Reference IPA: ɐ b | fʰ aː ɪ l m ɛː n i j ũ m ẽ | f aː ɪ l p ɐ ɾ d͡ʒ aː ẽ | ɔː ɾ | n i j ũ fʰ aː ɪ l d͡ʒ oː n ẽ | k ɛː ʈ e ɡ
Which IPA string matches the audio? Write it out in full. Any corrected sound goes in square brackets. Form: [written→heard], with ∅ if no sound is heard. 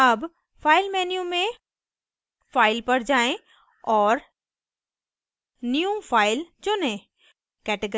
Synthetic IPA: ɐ b | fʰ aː ɪ l m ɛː n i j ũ m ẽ | f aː ɪ l p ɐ ɾ d͡ʒ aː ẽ | ɔː ɾ | n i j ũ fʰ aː ɪ l d͡ʒ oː n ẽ | k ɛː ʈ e ɡ

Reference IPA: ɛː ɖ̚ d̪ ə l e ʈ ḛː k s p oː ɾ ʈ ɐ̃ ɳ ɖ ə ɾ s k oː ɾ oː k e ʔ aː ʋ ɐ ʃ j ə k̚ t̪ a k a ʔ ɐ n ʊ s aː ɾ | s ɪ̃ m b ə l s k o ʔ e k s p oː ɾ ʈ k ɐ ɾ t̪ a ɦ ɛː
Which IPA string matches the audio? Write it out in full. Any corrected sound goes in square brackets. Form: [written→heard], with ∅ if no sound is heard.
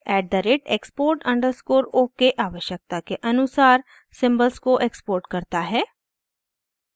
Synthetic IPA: ɛː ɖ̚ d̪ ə [l→ɾ] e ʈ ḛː k s p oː ɾ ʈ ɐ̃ ɳ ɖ ə ɾ s k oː ɾ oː k e ʔ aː ʋ [ɐ→ə] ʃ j ə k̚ t̪ a k [a→e] ʔ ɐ n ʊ s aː ɾ | s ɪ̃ m b ə l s k o ʔ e k s p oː ɾ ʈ k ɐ ɾ t̪ a ɦ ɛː

